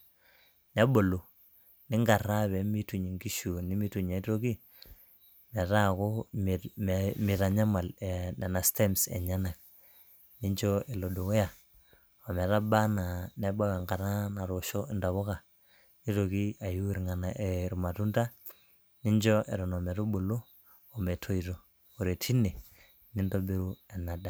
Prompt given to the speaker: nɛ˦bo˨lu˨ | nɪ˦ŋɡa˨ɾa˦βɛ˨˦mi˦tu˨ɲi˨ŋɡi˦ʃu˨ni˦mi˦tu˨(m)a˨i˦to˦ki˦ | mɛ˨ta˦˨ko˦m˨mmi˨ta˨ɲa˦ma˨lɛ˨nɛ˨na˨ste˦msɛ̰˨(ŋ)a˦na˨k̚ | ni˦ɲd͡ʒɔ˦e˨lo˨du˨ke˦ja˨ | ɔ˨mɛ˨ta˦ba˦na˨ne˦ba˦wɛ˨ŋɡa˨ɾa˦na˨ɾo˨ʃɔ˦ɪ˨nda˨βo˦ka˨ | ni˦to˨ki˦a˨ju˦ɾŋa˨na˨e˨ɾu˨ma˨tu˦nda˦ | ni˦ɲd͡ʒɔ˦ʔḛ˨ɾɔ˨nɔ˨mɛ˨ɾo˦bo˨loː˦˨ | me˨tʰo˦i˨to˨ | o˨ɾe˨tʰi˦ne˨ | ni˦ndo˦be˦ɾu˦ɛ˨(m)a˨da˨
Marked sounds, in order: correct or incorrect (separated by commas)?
incorrect, incorrect, incorrect